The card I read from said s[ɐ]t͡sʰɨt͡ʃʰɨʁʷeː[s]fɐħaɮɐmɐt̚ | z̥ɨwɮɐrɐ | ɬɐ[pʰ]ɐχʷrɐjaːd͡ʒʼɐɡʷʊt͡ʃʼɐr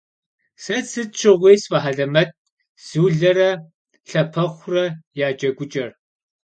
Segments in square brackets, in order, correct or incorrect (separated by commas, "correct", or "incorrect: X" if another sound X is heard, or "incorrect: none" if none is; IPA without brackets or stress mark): correct, correct, correct